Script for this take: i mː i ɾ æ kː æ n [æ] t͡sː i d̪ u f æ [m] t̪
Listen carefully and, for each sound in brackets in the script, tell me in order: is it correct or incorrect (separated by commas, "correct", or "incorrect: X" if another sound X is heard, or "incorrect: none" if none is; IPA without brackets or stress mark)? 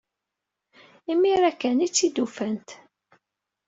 incorrect: i, incorrect: n